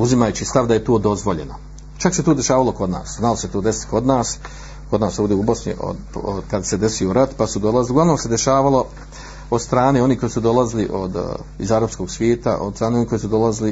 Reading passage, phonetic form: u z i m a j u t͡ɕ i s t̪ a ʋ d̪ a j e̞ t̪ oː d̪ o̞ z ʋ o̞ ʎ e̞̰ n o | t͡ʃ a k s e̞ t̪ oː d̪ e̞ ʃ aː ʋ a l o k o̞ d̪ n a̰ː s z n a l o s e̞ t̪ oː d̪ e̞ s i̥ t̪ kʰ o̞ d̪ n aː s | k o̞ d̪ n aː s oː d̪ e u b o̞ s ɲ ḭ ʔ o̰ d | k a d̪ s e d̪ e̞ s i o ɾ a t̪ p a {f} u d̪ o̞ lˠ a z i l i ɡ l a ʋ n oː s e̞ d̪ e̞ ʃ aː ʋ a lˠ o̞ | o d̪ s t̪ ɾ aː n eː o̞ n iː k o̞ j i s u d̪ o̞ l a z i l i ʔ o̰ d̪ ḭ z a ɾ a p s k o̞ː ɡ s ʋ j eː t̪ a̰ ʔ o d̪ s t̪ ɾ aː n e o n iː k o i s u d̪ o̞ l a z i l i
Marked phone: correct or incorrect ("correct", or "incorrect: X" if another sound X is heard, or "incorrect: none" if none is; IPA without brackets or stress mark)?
incorrect: s